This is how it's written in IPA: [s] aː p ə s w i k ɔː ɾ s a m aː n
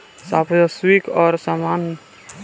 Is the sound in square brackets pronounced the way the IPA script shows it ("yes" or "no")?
yes